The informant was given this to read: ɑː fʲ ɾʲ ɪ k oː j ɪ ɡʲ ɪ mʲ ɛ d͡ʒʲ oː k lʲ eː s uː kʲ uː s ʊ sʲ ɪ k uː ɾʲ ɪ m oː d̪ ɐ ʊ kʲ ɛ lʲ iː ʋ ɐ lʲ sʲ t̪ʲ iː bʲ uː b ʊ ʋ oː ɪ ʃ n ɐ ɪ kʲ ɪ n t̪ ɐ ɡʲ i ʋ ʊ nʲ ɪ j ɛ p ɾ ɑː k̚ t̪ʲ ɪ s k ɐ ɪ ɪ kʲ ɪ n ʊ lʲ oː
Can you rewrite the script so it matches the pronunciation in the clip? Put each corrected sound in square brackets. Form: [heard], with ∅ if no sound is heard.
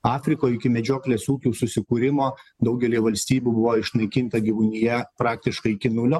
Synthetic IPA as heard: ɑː fʲ ɾʲ ɪ k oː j ɪ [kʲ] ɪ mʲ ɛ d͡ʒʲ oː k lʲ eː s uː kʲ uː s ʊ sʲ ɪ k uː ɾʲ ɪ m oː d̪ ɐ ʊ [ɡʲ] ɛ lʲ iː ʋ ɐ lʲ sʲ t̪ʲ iː bʲ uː b ʊ ʋ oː ɪ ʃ n ɐ ɪ kʲ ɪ n t̪ ɐ ɡʲ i ʋ ʊ nʲ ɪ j ɛ p ɾ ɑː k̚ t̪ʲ ɪ [ʃ] k ɐ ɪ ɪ kʲ ɪ n ʊ lʲ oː